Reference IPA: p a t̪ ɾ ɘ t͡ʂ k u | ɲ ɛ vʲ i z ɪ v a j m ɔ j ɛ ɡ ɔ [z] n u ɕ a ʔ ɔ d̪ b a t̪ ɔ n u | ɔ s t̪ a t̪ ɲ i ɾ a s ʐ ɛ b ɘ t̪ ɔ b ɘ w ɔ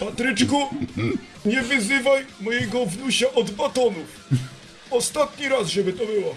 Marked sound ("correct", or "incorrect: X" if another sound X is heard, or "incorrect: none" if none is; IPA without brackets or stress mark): incorrect: v